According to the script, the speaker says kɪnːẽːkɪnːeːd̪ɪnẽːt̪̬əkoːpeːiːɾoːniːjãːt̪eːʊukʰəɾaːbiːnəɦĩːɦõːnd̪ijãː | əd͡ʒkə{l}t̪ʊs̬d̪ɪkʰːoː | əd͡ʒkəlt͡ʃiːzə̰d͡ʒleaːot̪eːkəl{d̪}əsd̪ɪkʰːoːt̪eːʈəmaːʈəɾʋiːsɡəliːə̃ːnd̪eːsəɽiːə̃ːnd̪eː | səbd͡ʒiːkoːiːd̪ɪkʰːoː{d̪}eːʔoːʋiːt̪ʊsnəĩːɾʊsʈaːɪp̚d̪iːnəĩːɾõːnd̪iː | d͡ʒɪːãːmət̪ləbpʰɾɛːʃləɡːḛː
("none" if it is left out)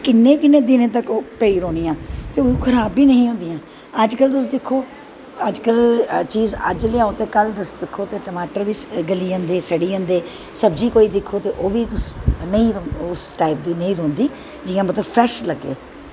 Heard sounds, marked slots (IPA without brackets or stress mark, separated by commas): l, d̪, t̪